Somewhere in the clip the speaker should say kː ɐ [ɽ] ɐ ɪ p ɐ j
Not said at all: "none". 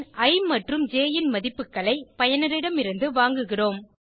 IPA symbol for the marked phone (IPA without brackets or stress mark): ɭ